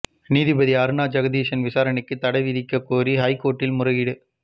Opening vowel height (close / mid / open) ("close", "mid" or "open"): close